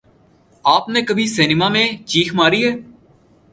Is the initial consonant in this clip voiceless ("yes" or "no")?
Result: yes